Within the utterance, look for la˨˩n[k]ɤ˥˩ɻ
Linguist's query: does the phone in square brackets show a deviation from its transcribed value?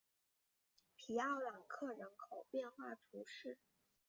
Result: yes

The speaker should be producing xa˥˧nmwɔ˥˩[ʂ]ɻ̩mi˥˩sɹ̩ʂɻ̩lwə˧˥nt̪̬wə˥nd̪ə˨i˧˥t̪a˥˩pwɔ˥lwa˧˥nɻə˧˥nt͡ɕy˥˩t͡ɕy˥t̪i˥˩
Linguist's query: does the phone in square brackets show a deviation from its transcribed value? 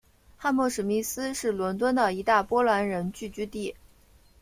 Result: no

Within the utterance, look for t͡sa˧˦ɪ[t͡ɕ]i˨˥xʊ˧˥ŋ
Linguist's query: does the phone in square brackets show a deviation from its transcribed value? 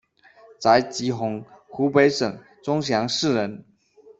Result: no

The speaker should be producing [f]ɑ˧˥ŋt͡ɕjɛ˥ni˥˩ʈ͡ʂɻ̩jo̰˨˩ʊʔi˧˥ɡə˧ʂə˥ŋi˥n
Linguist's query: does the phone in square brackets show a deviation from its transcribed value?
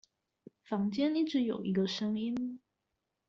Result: no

